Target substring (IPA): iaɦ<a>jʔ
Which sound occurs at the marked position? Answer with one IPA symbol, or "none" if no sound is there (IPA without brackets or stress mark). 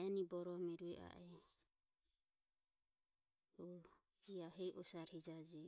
ɛ